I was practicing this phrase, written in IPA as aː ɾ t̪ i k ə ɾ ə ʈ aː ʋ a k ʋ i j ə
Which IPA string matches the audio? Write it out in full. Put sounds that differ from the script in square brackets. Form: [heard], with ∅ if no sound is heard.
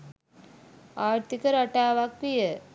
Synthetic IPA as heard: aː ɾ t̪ i k ə ɾ [a] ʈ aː ʋ a k ʋ i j ə